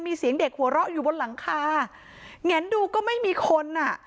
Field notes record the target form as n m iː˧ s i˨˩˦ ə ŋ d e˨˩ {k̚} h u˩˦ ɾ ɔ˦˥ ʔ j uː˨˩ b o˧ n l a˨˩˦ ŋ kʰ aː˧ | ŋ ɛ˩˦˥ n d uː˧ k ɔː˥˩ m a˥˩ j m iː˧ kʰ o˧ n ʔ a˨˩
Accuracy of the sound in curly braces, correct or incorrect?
correct